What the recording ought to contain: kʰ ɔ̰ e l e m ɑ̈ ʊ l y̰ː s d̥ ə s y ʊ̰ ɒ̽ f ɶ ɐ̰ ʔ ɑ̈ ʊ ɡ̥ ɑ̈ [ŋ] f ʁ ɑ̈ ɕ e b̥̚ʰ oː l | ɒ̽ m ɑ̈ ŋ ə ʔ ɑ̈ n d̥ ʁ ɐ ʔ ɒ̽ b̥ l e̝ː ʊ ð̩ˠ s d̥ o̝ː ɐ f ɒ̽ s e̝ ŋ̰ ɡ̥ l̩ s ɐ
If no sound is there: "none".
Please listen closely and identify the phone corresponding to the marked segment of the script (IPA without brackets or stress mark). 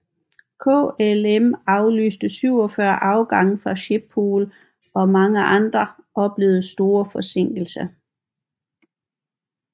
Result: ŋ